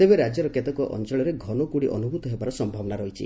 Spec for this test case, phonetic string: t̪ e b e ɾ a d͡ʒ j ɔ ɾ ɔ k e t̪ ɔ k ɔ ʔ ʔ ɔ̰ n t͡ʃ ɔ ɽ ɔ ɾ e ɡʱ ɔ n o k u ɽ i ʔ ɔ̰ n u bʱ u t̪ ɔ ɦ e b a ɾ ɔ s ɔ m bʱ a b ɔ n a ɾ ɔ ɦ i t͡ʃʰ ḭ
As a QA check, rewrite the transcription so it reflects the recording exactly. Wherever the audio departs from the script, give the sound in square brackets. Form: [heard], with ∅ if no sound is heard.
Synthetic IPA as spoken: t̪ e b e ɾ a d͡ʒ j ɔ ɾ ɔ k e t̪ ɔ k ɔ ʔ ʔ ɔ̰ n t͡ʃ ɔ [ɭ] ɔ ɾ e ɡʱ ɔ n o k u ɽ i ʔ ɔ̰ n u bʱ u t̪ ɔ ɦ e b a ɾ ɔ s ɔ m bʱ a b ɔ n a ɾ ɔ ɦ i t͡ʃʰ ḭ